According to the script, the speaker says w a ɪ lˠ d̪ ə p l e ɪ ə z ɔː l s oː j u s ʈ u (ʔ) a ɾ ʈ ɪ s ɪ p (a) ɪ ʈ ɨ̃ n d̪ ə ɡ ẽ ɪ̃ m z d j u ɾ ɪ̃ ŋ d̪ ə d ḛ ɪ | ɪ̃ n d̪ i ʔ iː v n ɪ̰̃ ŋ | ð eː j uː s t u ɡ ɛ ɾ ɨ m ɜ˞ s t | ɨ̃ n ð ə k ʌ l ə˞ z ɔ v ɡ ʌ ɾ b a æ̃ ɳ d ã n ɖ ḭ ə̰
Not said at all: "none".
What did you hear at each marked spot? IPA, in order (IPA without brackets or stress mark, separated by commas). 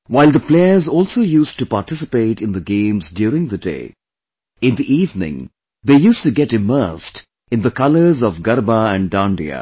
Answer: p, e